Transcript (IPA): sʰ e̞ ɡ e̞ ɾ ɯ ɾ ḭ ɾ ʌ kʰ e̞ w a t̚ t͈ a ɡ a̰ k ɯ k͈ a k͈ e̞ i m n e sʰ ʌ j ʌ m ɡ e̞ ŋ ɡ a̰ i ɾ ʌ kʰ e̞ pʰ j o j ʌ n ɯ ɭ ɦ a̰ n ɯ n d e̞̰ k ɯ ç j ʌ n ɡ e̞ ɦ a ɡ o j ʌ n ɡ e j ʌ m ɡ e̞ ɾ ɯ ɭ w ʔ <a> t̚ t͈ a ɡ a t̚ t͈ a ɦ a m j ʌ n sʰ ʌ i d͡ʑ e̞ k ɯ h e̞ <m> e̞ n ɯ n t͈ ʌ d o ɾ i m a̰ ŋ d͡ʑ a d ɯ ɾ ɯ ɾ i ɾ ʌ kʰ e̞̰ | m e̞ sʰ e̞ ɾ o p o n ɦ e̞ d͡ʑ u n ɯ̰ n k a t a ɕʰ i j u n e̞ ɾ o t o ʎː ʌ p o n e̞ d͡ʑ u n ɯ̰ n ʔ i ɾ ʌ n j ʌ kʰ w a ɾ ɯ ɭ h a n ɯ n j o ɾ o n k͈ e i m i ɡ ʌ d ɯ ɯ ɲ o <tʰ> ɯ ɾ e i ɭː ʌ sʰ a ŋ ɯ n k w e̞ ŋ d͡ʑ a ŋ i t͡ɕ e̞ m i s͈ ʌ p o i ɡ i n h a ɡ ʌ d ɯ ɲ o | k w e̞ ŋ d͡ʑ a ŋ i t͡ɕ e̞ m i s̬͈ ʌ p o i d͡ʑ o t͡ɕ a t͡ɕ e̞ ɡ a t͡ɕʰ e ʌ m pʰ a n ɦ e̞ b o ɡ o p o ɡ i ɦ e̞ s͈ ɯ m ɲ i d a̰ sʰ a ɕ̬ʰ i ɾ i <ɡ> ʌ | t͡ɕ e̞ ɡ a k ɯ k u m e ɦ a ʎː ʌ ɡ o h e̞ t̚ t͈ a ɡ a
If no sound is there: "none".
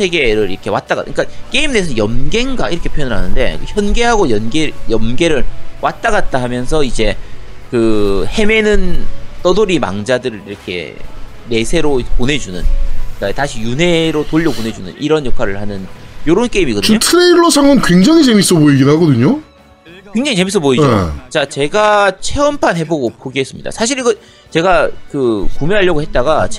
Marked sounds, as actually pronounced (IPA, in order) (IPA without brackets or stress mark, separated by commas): a, m, tʰ, ɡ